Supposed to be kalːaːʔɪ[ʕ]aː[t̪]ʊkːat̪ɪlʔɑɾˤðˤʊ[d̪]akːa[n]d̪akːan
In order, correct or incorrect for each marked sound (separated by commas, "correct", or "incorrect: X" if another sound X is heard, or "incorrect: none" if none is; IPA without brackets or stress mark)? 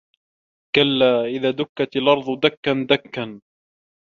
incorrect: ð, incorrect: d̪, correct, correct